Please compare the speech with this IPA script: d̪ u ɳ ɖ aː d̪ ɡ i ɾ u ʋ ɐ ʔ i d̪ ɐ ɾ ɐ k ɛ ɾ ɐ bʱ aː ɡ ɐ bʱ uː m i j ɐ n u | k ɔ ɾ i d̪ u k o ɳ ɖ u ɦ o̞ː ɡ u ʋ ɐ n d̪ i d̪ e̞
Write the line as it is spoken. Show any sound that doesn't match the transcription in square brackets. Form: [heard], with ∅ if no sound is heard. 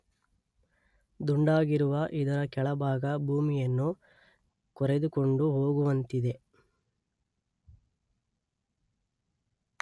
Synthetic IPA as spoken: d̪ u ɳ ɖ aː [∅] ɡ i ɾ u ʋ ɐ ʔ i d̪ ɐ ɾ ɐ k ɛ [ɭ] ɐ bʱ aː ɡ ɐ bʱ uː m i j ɐ [nː] u | k ɔ ɾ [e] d̪ u k o ɳ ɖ u ɦ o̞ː ɡ u ʋ ɐ n [t̪] i d̪ e̞